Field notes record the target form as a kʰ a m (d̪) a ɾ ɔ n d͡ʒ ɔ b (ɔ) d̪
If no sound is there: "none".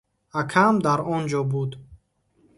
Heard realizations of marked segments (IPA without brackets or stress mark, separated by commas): d̪, u